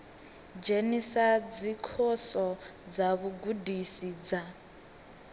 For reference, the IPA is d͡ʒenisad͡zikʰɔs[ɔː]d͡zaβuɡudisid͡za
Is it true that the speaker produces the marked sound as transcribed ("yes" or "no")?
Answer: no